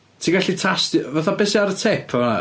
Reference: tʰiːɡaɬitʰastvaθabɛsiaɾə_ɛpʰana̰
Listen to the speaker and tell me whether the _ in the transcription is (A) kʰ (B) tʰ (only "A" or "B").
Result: B